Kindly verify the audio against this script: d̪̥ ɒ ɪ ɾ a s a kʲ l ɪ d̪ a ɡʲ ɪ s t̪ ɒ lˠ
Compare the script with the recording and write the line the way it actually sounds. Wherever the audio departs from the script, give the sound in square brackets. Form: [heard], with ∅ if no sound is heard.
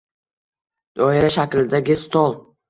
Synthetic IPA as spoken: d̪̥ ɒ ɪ ɾ a [ʃ] a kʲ l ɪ d̪ a ɡʲ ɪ s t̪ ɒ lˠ